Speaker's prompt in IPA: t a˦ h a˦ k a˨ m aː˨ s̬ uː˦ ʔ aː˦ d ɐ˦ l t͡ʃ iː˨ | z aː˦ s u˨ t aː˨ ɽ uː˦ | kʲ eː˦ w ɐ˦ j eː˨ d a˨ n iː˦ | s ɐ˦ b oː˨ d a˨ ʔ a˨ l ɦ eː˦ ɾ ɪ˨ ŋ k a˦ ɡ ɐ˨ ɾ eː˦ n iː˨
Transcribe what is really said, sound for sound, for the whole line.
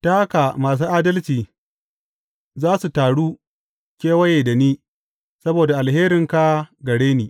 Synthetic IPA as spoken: t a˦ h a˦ k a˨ m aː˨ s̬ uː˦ ʔ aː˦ d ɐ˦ l t͡ʃ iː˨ | z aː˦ s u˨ t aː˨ ɽ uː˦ | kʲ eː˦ w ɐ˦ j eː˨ d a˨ n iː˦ | s ɐ˦ b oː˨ d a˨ ʔ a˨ l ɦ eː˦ ɾ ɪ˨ ŋ k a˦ ɡ ɐ˨ ɽ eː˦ n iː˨